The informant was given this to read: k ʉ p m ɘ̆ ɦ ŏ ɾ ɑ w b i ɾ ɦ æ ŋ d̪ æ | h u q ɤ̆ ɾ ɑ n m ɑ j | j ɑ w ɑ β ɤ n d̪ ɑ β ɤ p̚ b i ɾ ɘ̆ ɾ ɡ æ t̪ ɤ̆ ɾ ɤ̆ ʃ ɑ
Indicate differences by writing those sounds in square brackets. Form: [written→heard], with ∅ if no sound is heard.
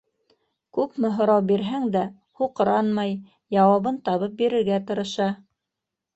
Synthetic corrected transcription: k ʉ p m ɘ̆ ɦ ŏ ɾ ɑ w b i ɾ ɦ æ ŋ d̪ æ | h u q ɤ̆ ɾ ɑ n m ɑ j | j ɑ w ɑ β ɤ n [d̪→t̪] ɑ β ɤ p̚ b i ɾ ɘ̆ ɾ ɡ æ t̪ ɤ̆ ɾ ɤ̆ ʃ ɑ